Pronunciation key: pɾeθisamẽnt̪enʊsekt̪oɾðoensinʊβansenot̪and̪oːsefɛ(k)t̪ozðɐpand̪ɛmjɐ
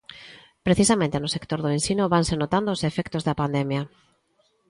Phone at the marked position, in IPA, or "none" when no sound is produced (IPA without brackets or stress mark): k